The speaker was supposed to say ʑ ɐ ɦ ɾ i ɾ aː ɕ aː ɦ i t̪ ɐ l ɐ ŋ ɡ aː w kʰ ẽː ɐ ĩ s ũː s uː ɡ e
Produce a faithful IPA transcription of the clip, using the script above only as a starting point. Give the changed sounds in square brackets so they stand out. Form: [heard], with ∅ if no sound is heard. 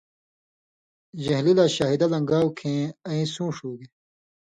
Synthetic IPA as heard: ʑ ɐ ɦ [l] i [l] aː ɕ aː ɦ i [d̪] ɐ l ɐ ŋ ɡ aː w kʰ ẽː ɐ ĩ s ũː [ʂ] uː ɡ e

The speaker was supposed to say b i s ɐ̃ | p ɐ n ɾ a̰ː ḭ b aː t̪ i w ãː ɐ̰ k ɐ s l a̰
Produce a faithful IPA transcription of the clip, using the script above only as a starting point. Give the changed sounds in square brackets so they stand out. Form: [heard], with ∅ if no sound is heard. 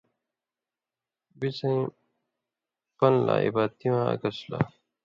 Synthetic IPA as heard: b i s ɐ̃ | p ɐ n [l] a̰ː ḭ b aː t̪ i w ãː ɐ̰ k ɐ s l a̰

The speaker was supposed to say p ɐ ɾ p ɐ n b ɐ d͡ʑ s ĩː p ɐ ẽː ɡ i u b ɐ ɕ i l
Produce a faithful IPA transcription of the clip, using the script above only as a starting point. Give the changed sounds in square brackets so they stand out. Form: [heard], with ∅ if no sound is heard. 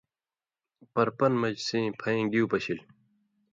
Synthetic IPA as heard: p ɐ ɾ p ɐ n [m] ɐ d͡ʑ s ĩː [pʰ] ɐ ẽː ɡ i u [p] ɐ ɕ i l

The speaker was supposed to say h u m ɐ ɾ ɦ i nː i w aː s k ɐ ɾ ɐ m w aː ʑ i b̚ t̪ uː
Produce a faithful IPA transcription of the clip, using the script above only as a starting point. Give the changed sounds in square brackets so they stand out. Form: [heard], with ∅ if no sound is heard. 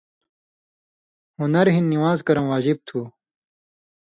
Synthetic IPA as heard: h u [n] ɐ ɾ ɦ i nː i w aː [z] k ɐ ɾ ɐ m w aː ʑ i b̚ [t̪ʰ] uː

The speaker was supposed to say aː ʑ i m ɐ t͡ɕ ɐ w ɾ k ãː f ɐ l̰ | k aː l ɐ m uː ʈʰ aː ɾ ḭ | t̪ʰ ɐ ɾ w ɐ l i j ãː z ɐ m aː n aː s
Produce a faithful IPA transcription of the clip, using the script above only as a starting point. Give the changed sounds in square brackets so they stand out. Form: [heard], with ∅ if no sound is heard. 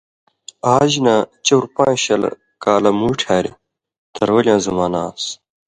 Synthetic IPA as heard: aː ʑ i [n] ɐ t͡ɕ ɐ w ɾ [p] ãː [ɕ] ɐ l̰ | k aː l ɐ m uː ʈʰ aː ɾ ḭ | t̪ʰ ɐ ɾ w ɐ l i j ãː z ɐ m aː n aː s

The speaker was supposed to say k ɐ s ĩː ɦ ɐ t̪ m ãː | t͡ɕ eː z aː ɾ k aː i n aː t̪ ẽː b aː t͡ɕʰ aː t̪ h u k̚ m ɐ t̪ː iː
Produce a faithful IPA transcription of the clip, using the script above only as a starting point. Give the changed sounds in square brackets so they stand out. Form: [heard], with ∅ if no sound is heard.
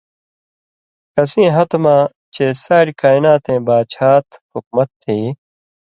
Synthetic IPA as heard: k ɐ s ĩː ɦ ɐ t̪ m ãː | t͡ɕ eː [s] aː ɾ k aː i n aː t̪ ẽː b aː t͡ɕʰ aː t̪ h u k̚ m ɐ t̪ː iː

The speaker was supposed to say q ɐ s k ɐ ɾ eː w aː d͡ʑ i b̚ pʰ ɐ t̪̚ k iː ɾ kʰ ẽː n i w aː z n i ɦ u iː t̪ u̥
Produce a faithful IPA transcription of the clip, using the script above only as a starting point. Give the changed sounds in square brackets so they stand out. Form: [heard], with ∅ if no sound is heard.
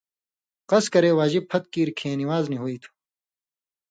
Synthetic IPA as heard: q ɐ s k ɐ ɾ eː w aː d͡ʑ i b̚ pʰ ɐ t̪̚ k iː ɾ kʰ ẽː n i w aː z n i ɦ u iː [t̪ʰ] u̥

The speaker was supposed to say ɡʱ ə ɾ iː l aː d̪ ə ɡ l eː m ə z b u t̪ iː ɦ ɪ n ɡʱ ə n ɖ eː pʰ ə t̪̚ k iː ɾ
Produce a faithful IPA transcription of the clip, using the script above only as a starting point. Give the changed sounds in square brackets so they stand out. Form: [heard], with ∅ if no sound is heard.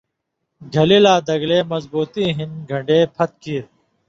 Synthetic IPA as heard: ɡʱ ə [l] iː l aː d̪ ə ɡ l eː m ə z b [uː] t̪ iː ɦ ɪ n ɡʱ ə [ɳ] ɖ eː pʰ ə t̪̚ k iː ɾ

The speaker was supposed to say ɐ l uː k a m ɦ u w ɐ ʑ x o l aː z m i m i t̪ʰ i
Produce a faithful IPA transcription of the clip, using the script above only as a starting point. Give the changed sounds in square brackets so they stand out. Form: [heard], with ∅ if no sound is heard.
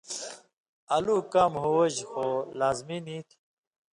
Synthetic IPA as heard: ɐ l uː k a m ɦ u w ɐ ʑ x o l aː z m i [n] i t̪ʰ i

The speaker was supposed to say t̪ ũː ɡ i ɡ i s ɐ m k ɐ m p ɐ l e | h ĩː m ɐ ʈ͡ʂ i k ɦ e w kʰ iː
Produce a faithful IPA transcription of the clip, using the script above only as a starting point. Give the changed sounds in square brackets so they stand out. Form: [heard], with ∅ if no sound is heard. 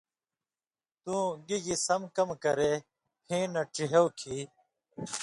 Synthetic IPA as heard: t̪ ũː ɡ i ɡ i s ɐ m k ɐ m [k] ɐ [ɾ] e | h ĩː [n] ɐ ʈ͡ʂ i [∅] ɦ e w kʰ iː

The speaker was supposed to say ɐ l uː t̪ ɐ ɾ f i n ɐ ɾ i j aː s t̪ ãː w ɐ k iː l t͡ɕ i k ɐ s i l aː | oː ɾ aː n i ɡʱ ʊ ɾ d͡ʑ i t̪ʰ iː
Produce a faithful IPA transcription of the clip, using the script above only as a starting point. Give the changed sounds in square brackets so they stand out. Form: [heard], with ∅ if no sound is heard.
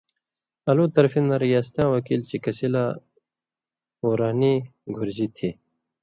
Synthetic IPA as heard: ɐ l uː t̪ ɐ ɾ f i n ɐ ɾ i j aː s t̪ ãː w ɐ k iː l t͡ɕ i k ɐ s i l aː | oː ɾ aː n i ɡʱ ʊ ɾ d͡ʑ i t̪ʰ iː

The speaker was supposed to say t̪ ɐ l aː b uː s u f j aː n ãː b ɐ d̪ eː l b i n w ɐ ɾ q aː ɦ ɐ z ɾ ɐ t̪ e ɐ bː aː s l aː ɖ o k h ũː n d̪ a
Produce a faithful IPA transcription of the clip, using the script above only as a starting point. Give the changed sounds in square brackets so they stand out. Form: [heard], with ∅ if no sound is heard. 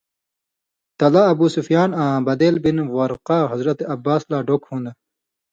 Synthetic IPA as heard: t̪ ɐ l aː b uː s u f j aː n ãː b ɐ d̪ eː l b i n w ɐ ɾ q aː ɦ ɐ z ɾ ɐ t̪ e ɐ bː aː s l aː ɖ o k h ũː n d̪ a

